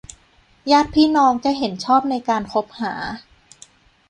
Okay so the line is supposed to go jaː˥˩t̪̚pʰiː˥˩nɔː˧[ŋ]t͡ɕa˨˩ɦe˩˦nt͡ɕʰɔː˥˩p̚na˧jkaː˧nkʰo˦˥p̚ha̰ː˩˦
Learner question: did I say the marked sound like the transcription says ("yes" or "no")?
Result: yes